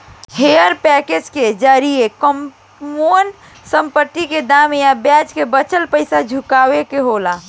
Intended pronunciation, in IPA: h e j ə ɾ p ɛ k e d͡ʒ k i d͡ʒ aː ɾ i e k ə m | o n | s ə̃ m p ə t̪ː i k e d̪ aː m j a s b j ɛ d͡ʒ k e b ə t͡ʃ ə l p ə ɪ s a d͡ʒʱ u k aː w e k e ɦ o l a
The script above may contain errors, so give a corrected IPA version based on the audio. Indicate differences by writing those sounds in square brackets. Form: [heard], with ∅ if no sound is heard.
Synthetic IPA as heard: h e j ə ɾ p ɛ k e d͡ʒ k [e] d͡ʒ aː ɾ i e k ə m | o n | s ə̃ m p ə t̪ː i k e d̪ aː m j a [∅] b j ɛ d͡ʒ k e b ə t͡ʃ ə l p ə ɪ s a d͡ʒʱ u k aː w e k e ɦ o l a